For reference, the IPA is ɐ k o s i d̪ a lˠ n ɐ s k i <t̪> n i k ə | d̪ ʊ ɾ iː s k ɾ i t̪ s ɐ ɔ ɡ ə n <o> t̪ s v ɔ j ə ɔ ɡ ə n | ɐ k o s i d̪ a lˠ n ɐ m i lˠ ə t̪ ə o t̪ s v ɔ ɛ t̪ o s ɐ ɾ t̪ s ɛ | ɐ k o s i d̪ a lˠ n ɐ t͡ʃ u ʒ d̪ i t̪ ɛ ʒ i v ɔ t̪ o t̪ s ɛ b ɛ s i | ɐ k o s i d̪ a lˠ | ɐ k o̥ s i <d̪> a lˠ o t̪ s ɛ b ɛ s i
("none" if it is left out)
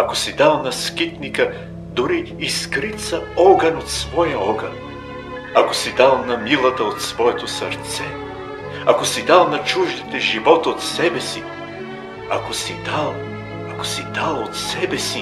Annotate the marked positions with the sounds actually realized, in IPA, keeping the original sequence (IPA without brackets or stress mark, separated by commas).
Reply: t̪, o, d̪